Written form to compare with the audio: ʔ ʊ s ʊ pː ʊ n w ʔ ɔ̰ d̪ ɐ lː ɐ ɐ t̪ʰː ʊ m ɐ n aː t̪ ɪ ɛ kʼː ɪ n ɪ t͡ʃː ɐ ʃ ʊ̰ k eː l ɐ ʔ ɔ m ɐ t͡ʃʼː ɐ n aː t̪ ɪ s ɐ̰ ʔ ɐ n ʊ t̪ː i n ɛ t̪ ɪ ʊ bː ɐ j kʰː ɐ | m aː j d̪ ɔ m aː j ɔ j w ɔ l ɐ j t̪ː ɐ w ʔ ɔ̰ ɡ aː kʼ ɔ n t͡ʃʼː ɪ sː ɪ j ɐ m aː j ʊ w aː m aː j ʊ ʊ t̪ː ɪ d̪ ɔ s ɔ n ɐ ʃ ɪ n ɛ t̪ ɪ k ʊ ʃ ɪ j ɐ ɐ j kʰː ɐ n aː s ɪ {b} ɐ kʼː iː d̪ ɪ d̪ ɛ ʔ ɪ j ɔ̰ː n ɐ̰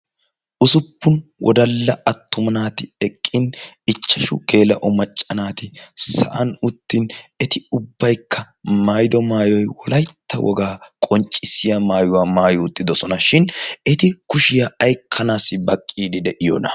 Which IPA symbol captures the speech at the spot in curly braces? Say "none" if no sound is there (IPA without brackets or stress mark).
b